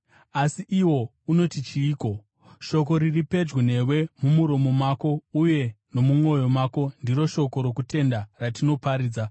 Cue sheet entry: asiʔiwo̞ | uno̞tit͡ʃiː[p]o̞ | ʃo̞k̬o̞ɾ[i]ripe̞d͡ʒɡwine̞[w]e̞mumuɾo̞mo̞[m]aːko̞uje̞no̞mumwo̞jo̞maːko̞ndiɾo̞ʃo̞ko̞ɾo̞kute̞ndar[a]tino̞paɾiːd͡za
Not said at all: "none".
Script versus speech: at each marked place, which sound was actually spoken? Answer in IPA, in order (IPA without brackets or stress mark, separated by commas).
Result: k, i, w, m, a